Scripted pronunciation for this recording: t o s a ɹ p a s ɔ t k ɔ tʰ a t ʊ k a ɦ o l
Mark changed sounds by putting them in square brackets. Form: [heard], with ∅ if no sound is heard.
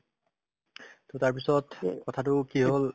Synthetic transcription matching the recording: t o [t] a ɹ p [i] s ɔ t k ɔ tʰ a t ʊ k [i] ɦ o l